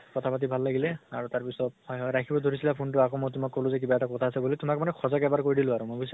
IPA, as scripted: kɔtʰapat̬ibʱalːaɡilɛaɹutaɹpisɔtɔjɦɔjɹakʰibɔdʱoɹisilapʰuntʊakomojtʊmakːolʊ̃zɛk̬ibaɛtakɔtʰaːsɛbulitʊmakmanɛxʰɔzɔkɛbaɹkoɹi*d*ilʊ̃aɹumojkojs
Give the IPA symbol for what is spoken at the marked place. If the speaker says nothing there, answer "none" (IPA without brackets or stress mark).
d